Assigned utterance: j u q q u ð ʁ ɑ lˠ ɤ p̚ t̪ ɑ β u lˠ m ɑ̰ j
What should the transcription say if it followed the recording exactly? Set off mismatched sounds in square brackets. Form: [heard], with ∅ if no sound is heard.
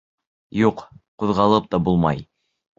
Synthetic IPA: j u q q u ð ʁ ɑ lˠ ɤ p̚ t̪ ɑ [b] u lˠ m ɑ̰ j